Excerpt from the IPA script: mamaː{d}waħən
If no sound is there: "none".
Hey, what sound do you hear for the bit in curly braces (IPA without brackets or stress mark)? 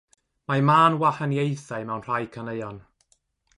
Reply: n